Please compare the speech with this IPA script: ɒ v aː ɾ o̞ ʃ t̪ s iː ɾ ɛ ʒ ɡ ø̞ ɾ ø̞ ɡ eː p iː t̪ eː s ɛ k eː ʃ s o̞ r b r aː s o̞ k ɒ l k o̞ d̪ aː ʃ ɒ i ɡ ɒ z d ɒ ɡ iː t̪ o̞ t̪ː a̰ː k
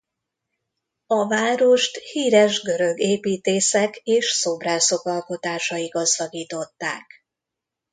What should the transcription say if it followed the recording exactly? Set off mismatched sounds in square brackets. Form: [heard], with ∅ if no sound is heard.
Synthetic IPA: ɒ v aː ɾ o̞ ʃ t̪ [h] iː ɾ ɛ ʒ ɡ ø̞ ɾ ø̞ ɡ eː p iː t̪ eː s ɛ k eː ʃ s o̞ [∅] b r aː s o̞ k ɒ l k o̞ [t̪] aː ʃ ɒ i ɡ ɒ z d ɒ ɡ iː t̪ o̞ t̪ː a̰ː k